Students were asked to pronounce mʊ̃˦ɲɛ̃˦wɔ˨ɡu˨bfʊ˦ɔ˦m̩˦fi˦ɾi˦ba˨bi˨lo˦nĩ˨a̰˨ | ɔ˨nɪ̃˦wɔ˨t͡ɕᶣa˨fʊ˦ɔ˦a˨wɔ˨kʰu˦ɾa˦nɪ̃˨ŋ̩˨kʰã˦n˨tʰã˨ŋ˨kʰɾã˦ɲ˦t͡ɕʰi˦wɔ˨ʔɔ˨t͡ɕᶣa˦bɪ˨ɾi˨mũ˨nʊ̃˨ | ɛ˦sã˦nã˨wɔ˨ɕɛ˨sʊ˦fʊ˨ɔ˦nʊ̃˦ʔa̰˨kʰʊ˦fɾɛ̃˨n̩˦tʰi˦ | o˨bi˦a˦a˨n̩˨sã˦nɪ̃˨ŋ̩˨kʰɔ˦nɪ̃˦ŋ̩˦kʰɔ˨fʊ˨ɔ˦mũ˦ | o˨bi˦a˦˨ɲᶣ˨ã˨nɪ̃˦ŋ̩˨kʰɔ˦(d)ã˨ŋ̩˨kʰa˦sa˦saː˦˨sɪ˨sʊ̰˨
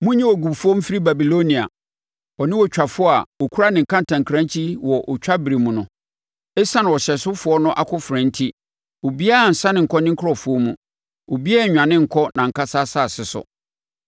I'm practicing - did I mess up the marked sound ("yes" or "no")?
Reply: yes